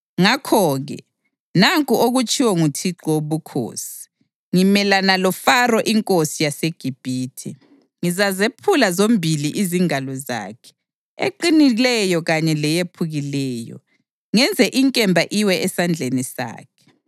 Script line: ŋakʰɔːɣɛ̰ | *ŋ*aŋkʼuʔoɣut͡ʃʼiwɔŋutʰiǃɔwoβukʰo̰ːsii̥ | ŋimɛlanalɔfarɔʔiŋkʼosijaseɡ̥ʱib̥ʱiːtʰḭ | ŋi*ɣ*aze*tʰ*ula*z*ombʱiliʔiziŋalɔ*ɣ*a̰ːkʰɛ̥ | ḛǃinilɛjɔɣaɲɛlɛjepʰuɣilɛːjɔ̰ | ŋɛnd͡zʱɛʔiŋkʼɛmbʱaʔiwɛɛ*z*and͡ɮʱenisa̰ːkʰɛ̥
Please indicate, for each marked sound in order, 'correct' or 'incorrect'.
incorrect: n, incorrect: z, incorrect: pʰ, correct, incorrect: z, incorrect: s

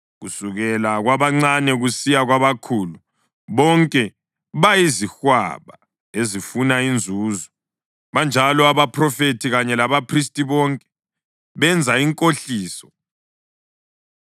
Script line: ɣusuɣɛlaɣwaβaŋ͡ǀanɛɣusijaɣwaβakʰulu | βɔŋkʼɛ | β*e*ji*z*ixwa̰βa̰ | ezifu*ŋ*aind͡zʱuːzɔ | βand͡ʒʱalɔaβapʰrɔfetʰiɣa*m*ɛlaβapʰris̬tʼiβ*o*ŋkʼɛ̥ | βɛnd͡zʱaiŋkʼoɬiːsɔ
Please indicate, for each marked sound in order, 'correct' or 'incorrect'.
incorrect: a, correct, incorrect: n, incorrect: ɲ, incorrect: ɔ

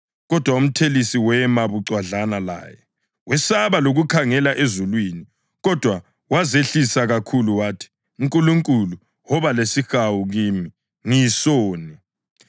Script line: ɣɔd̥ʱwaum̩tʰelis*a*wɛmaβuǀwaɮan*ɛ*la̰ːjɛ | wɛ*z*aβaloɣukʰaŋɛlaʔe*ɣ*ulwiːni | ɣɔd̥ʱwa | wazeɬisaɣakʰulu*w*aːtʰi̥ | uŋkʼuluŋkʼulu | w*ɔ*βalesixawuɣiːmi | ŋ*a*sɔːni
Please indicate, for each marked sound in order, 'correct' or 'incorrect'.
incorrect: i, incorrect: a, incorrect: s, incorrect: z, correct, correct, incorrect: i

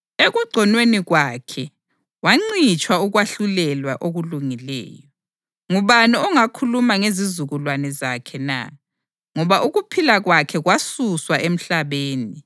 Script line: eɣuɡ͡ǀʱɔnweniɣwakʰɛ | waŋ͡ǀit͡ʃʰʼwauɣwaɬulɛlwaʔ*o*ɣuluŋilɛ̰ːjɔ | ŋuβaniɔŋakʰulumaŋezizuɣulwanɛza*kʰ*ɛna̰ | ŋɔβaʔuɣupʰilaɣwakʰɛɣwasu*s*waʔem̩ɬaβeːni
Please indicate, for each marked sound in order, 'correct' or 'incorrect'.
correct, correct, correct

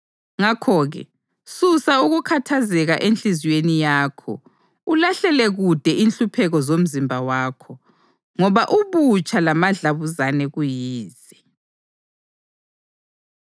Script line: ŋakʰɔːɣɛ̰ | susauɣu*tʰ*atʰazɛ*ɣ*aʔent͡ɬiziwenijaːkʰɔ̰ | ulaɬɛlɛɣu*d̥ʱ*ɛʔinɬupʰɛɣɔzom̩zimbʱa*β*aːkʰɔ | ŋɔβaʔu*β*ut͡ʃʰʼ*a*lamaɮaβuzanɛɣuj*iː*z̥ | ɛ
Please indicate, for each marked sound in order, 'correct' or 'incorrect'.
incorrect: kʰ, correct, correct, incorrect: w, correct, correct, correct

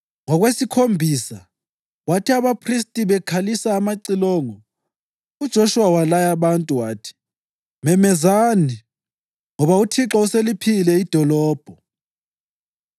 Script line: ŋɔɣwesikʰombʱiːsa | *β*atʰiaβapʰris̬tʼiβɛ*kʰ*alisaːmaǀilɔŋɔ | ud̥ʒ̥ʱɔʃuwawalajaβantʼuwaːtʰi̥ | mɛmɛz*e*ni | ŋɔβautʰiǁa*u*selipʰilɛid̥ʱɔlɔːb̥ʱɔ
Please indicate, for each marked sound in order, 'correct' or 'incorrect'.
incorrect: w, correct, incorrect: a, correct

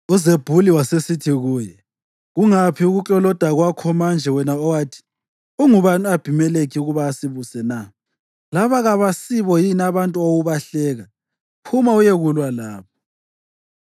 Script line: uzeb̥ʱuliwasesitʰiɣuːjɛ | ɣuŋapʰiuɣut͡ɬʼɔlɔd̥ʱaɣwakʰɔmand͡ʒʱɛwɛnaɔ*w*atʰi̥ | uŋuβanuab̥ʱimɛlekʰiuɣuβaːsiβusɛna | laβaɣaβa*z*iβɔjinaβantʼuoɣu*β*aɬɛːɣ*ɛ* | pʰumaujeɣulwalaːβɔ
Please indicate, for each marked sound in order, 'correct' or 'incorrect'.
correct, incorrect: s, correct, incorrect: a

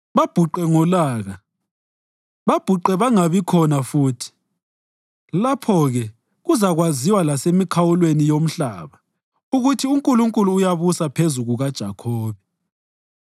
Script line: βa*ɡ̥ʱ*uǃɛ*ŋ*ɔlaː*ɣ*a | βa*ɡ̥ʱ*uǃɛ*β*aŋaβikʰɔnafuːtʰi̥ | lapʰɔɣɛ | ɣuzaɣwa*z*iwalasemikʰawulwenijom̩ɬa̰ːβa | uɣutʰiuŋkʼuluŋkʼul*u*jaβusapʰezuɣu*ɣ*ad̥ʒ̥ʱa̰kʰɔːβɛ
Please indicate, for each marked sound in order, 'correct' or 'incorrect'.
incorrect: b̥ʱ, correct, correct, incorrect: b̥ʱ, correct, correct, incorrect: uː, correct

